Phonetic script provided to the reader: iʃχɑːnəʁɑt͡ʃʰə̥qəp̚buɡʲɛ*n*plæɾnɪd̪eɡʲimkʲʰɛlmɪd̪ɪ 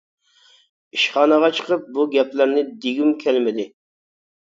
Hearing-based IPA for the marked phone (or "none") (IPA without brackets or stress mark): none